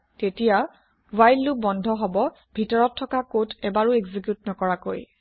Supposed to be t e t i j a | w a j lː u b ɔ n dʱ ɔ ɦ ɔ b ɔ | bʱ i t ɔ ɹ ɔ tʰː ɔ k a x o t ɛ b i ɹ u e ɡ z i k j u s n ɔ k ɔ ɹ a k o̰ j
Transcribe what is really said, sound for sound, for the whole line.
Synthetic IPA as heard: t e t i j a | w a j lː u b ɔ n dʱ ɔ ɦ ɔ b ɔ | bʱ i t ɔ ɹ ɔ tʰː ɔ k a k o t ɛ b a ɹ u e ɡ z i k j u t n ɔ k ɔ ɹ a k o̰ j